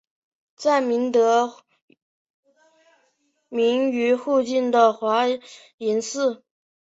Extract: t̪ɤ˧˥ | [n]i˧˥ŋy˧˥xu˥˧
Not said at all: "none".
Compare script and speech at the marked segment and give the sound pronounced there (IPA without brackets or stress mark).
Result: m